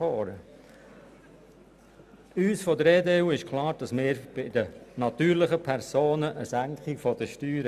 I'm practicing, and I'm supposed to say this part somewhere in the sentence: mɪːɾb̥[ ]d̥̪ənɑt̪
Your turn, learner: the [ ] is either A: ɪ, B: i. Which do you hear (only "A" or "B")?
A